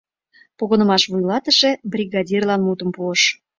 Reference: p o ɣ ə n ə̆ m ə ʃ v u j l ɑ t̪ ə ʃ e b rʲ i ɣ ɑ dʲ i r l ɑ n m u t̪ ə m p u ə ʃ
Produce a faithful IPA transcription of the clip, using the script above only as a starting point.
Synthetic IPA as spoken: p o ɣ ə n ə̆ m ɑ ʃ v u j l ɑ t̪ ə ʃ e b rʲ i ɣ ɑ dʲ i r l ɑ n m u t̪ ə m p u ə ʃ

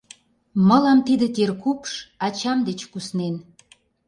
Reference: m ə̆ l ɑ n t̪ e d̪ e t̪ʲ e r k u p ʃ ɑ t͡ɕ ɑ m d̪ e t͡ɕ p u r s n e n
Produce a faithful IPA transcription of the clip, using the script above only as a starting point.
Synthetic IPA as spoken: m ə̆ l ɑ m t̪ i d̪ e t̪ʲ e r k u p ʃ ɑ t͡ɕ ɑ m d̪ e t͡ɕ k u s n e n

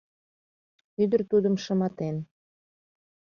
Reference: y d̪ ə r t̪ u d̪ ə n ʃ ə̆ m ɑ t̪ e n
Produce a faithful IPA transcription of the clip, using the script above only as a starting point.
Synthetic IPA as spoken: y d̪ ə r t̪ u d̪ ə m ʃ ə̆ m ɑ t̪ e n

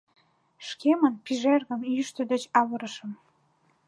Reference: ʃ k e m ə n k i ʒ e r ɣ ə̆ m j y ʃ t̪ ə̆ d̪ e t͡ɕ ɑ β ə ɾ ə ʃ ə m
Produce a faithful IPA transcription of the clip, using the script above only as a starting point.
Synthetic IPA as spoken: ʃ k e m ə n p i ʒ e r ɣ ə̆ m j y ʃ t̪ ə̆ d̪ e t͡ɕ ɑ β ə ɾ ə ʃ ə m

